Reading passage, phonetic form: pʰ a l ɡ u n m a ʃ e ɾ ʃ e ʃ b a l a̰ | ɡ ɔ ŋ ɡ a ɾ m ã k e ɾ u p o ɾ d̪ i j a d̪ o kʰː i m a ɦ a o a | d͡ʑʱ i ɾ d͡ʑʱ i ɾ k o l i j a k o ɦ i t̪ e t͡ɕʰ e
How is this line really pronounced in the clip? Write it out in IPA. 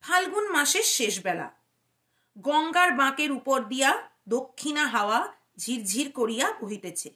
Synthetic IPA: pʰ a l ɡ u n m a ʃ e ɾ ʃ e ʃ b ɛ l a̰ | ɡ ɔ ŋ ɡ a ɾ b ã k e ɾ u p o ɾ d̪ i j a d̪ o kʰː i n a ɦ a o a | d͡ʑʱ i ɾ d͡ʑʱ i ɾ k o ɾ i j a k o ɦ i t̪ e t͡ɕʰ e